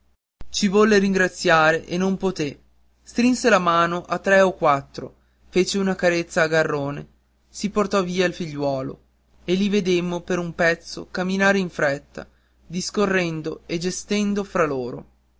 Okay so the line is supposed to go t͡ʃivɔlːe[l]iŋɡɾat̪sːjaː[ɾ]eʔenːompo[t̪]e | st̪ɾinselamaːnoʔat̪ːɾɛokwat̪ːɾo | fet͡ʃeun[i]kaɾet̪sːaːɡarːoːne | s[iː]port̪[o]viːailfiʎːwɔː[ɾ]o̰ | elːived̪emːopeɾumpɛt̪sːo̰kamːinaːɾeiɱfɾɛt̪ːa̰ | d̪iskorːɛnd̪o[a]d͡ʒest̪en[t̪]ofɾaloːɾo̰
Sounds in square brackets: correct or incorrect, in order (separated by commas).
incorrect, correct, correct, incorrect, incorrect, incorrect, incorrect, incorrect, incorrect